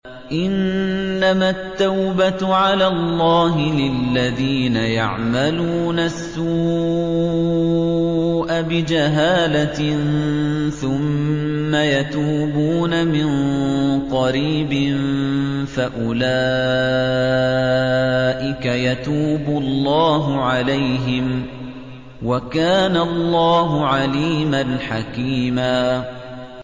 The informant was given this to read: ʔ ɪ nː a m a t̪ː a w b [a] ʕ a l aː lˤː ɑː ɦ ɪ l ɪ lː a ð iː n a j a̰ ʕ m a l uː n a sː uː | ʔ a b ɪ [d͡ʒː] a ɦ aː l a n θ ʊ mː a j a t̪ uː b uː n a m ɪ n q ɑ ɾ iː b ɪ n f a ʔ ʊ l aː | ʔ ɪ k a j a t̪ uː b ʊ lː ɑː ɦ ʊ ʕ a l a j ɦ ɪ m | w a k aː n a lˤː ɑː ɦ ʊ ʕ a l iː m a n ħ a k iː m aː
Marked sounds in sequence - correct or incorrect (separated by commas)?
correct, incorrect